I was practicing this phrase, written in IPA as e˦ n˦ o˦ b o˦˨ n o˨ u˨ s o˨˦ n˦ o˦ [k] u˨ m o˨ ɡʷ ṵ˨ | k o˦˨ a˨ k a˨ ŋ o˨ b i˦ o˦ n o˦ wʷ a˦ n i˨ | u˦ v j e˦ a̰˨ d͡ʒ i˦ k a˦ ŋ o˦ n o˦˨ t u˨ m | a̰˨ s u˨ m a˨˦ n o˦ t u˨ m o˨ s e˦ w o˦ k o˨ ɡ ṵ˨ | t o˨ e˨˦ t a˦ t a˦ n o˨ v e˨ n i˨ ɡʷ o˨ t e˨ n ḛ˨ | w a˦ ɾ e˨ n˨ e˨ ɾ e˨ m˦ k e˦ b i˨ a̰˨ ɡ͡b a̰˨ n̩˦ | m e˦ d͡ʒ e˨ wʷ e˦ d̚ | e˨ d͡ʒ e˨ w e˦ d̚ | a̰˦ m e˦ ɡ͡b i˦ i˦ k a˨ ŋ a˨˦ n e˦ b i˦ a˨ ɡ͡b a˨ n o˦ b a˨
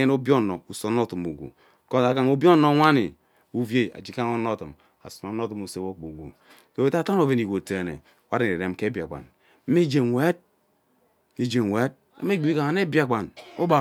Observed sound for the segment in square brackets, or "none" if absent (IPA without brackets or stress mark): t